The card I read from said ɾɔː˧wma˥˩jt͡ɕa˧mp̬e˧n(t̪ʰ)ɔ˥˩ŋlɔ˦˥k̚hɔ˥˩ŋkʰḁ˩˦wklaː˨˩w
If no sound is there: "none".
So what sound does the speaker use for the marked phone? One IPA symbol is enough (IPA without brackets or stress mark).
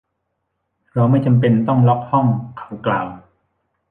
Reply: t̪